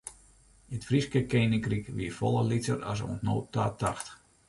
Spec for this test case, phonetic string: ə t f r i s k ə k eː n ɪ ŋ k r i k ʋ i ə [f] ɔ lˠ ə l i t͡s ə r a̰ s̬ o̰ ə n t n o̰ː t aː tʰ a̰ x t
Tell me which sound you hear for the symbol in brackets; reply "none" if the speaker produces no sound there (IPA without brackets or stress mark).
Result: f